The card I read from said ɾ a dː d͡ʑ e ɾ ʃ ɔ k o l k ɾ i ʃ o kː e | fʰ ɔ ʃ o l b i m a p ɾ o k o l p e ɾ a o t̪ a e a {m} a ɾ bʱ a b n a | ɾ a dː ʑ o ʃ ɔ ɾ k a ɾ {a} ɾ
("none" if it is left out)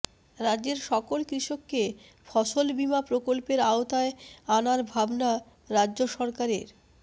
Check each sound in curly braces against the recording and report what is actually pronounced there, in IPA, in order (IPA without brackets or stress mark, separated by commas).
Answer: n, e